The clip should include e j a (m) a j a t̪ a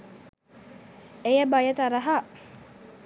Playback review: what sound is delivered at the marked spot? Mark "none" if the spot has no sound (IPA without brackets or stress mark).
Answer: b